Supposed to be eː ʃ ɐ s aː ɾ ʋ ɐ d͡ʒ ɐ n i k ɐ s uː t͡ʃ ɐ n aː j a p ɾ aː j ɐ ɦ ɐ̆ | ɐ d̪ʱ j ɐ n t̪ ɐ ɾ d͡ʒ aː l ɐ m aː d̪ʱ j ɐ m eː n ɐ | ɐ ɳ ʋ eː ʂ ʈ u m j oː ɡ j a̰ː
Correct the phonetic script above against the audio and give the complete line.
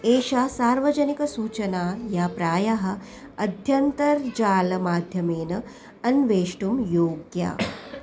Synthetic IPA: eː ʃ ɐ s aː ɾ ʋ ɐ d͡ʒ ɐ n i k ɐ s uː t͡ʃ ɐ n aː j a p ɾ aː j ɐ ɦ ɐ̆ | ɐ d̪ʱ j ɐ n t̪ ɐ ɾ d͡ʒ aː l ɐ m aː d̪ʱ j ɐ m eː n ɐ | ɐ n ʋ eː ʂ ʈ u m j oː ɡ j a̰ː

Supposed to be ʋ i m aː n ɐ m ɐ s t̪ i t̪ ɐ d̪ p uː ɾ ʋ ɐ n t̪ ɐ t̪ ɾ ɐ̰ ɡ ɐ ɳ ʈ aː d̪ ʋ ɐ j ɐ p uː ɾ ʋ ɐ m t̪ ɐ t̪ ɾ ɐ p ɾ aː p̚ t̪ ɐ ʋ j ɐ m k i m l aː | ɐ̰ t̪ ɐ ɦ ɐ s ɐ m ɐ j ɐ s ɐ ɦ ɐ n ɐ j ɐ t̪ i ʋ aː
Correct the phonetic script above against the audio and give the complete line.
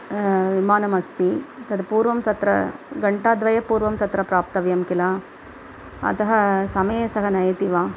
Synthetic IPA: ʋ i m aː n ɐ m ɐ s t̪ i t̪ ɐ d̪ p uː ɾ ʋ ɐ m t̪ ɐ t̪ ɾ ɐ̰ ɡ ɐ ɳ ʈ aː d̪ ʋ ɐ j ɐ p uː ɾ ʋ ɐ m t̪ ɐ t̪ ɾ ɐ p ɾ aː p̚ t̪ ɐ ʋ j ɐ m k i l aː | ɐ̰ t̪ ɐ ɦ ɐ s ɐ m ɐ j ɐ s ɐ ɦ ɐ n ɐ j ɐ t̪ i ʋ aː

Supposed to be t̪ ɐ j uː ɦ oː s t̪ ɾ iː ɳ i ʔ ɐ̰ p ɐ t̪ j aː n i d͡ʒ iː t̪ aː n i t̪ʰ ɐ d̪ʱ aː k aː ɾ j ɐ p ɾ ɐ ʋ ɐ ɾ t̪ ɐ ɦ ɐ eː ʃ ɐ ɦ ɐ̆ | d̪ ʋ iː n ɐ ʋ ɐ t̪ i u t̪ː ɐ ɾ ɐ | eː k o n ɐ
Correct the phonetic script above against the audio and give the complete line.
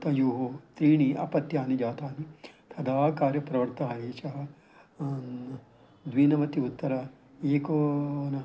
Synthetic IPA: t̪ ɐ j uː ɦ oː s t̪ ɾ iː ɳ i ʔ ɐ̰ p ɐ t̪ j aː n i d͡ʒ aː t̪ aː n i t̪ʰ ɐ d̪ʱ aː k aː ɾ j ɐ p ɾ ɐ ʋ ɐ ɾ t̪ ɐ ɦ ɐ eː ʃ ɐ ɦ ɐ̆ | d̪ ʋ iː n ɐ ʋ ɐ t̪ i u t̪ː ɐ ɾ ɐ | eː k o n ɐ

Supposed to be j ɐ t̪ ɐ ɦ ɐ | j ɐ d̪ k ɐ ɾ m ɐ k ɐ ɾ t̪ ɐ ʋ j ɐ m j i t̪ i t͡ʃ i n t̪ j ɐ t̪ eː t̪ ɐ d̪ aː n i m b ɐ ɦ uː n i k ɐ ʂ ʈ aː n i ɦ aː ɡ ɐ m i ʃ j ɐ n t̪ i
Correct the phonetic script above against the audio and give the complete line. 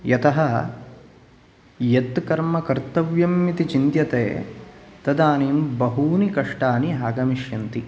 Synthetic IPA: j ɐ t̪ ɐ ɦ ɐ | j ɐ t̪ k ɐ ɾ m ɐ k ɐ ɾ t̪ ɐ ʋ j ɐ m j i t̪ i t͡ʃ i n t̪ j ɐ t̪ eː t̪ ɐ d̪ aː n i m b ɐ ɦ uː n i k ɐ ʂ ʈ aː n i ɦ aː ɡ ɐ m i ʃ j ɐ n t̪ i

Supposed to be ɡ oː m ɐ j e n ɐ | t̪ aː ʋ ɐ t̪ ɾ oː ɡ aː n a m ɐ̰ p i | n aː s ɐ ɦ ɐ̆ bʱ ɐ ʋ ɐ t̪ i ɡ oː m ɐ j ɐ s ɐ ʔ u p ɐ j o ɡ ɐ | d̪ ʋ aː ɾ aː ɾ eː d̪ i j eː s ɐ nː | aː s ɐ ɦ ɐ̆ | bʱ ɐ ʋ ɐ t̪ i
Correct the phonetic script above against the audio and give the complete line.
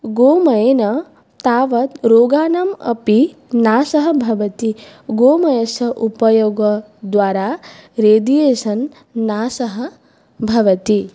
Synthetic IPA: ɡ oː m ɐ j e n ɐ | t̪ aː ʋ ɐ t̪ ɾ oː ɡ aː n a m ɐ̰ p i | n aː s ɐ ɦ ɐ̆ bʱ ɐ ʋ ɐ t̪ i ɡ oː m ɐ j ɐ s ɐ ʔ u p ɐ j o ɡ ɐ | d̪ ʋ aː ɾ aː ɾ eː d̪ i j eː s ɐ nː | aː s ɐ ɦ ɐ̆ | bʱ ɐ ʋ ɐ t̪ i

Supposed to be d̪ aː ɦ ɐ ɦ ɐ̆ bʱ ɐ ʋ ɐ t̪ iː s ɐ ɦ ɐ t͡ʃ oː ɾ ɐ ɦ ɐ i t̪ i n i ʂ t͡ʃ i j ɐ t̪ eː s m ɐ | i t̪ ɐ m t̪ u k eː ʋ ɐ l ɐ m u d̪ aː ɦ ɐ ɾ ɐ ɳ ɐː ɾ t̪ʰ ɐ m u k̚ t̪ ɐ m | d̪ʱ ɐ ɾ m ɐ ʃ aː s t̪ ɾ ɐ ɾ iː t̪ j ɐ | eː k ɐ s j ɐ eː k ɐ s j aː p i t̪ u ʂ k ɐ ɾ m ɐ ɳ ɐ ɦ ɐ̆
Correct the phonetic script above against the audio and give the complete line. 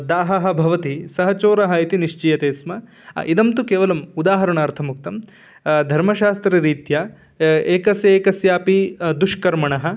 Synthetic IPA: d̪ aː ɦ ɐ ɦ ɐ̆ bʱ ɐ ʋ ɐ t̪ i s ɐ ɦ ɐ t͡ʃ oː ɾ ɐ ɦ ɐ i t̪ i n i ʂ t͡ʃ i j ɐ t̪ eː s m ɐ | i d̪ ɐ m t̪ u k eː ʋ ɐ l ɐ m u d̪ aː ɦ ɐ ɾ ɐ ɳ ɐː ɾ t̪ʰ ɐ m u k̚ t̪ ɐ m | d̪ʱ ɐ ɾ m ɐ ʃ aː s t̪ ɾ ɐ ɾ iː t̪ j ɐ | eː k ɐ s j ɐ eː k ɐ s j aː p i d̪ u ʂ k ɐ ɾ m ɐ ɳ ɐ ɦ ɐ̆

